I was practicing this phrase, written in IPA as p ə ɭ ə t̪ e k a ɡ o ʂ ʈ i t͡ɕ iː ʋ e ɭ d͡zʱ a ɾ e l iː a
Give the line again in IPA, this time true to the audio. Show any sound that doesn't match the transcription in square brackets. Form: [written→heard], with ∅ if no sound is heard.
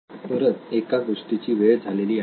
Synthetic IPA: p ə [ɭ→ɾ] ə t̪ e k a ɡ o ʂ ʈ i t͡ɕ iː ʋ e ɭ d͡zʱ a [ɾ→l] e l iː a